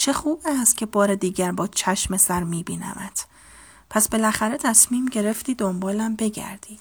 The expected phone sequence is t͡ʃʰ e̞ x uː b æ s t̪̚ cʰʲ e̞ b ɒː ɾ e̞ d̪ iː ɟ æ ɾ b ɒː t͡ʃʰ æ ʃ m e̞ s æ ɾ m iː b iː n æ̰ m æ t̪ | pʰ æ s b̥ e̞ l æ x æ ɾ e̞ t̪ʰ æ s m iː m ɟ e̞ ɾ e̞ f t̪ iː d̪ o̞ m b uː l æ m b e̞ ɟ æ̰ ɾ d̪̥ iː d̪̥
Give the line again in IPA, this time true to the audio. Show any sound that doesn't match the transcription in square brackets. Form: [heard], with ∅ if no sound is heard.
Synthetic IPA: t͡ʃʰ e̞ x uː b æ s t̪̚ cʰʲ e̞ b ɒː ɾ e̞ d̪ iː ɟ æ ɾ b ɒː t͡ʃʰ æ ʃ m e̞ s æ ɾ m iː b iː n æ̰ m æ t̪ | pʰ æ s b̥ e̞ l æ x æ ɾ e̞ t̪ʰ æ s m iː m ɟ e̞ ɾ e̞ f t̪ iː d̪ o̞ m b [ɒː] l æ m b e̞ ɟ æ̰ ɾ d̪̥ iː d̪̥